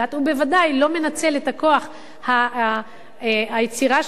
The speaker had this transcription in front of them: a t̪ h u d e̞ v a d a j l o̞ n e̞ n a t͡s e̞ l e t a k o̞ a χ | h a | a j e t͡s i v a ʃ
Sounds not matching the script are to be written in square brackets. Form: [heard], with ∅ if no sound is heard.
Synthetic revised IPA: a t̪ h u [b] e̞ v a d a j l o̞ [m] e̞ n a t͡s e̞ l e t a k o̞ a χ | h a | a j e t͡s i [ʁ] a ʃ